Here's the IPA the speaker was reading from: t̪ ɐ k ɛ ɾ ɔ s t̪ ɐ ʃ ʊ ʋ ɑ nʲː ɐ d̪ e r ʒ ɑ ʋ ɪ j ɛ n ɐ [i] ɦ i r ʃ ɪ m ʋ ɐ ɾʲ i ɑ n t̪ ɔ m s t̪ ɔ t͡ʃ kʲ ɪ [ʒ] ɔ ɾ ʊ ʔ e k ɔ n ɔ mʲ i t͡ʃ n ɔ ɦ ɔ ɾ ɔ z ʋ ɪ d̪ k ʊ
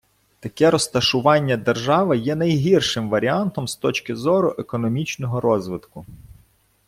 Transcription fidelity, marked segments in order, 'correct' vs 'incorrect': incorrect: j, incorrect: z

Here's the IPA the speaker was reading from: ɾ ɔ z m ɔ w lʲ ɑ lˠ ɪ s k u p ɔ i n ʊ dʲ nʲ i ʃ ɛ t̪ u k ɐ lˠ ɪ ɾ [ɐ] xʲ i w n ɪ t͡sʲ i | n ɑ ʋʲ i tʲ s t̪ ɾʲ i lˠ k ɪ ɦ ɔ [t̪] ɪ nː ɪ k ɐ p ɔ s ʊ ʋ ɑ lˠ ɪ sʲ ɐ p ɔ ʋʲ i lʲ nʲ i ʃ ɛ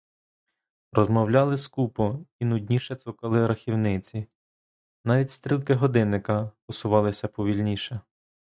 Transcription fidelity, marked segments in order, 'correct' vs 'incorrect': correct, incorrect: d̪

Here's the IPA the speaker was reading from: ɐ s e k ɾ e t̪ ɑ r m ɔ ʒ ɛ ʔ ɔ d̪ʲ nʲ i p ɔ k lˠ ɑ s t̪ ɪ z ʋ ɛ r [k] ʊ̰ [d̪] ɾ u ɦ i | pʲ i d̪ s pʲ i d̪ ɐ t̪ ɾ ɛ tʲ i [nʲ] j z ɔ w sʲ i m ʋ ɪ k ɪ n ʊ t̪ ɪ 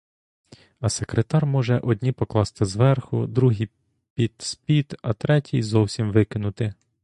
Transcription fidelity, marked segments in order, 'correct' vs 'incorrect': incorrect: x, correct, incorrect: none

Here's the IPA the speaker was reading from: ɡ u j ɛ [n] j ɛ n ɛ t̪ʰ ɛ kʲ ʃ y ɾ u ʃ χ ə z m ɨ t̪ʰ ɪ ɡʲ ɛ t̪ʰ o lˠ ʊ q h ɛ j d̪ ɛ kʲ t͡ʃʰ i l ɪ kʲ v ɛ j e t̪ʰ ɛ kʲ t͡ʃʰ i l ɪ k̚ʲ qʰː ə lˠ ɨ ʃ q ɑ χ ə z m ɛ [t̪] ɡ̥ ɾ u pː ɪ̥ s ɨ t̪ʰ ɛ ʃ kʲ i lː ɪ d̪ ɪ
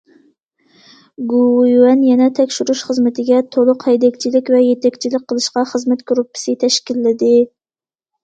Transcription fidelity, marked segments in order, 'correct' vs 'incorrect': correct, correct

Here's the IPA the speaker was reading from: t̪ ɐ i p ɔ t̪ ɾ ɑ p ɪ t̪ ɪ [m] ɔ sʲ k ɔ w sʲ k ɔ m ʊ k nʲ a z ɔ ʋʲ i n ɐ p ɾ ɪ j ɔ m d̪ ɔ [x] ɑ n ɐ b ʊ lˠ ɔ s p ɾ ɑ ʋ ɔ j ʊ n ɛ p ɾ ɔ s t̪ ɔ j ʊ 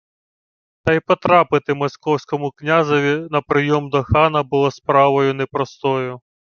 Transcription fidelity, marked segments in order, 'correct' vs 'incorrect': correct, correct

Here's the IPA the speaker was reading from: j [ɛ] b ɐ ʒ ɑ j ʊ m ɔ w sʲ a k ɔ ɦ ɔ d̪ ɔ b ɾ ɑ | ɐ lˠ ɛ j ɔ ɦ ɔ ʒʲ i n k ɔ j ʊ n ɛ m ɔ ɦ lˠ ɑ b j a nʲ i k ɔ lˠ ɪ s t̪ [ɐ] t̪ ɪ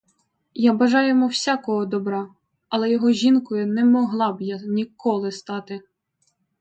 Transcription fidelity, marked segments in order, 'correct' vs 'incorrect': incorrect: a, incorrect: ɑ

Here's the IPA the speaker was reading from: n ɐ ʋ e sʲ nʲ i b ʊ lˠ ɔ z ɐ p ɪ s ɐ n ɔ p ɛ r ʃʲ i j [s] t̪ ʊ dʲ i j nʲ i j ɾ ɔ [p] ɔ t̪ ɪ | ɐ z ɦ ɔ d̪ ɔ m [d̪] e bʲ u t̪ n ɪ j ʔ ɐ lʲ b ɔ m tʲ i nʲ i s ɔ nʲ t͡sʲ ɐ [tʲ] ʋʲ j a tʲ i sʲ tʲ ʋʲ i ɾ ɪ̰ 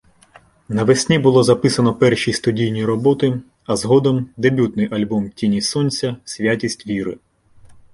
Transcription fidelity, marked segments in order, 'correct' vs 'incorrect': correct, incorrect: b, correct, incorrect: sʲ

